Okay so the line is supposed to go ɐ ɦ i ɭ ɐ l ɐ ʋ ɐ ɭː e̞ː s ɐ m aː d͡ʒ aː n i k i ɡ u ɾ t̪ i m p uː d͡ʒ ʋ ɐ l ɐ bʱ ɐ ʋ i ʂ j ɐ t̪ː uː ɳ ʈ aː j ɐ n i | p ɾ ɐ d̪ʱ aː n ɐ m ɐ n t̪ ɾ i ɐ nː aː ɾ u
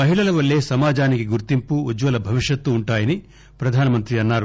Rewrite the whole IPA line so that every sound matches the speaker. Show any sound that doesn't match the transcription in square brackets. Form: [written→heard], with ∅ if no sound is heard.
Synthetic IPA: ɐ ɦ i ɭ ɐ l ɐ ʋ ɐ ɭː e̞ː s ɐ m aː d͡ʒ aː n i k i ɡ u ɾ t̪ i m p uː d͡ʒ ʋ ɐ l ɐ bʱ ɐ ʋ i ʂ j ɐ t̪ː uː ɳ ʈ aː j ɐ n i | p ɾ ɐ d̪ʱ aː n ɐ m ɐ n t̪ ɾ i ɐ nː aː ɾ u

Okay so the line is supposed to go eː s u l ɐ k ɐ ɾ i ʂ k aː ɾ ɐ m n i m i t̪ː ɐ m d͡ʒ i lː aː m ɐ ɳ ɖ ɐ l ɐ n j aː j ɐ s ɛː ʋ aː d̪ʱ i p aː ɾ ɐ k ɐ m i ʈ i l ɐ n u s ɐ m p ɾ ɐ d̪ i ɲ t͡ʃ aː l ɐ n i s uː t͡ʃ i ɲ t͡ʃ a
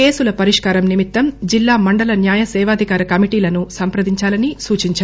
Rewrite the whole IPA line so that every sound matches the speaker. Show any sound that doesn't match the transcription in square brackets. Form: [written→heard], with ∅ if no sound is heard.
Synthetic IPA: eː s u l ɐ [k→p] ɐ ɾ i ʂ k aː ɾ ɐ m n i m i t̪ː ɐ m d͡ʒ i lː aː m ɐ ɳ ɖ ɐ l ɐ n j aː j ɐ s ɛː ʋ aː d̪ʱ i [p→k] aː ɾ ɐ k ɐ m i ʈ [i→iː] l ɐ n u s ɐ m p ɾ ɐ d̪ i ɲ t͡ʃ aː l ɐ n i s uː t͡ʃ i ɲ t͡ʃ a

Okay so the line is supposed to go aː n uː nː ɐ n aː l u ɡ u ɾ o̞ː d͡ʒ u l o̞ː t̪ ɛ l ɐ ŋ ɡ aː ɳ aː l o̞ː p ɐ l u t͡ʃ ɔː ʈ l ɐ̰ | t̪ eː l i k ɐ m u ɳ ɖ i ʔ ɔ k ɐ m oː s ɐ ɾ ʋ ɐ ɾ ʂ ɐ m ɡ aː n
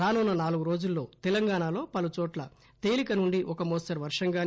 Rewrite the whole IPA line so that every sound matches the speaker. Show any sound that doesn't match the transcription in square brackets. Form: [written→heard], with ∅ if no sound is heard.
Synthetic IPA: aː n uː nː ɐ n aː l u ɡ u ɾ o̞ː d͡ʒ u [l→lː] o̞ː t̪ ɛ l ɐ ŋ ɡ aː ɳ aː l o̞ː p ɐ l u t͡ʃ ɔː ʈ l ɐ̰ | t̪ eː l i k ɐ [m→n] u ɳ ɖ i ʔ ɔ k ɐ m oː s ɐ ɾ ʋ ɐ ɾ ʂ ɐ [m→ŋ] ɡ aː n

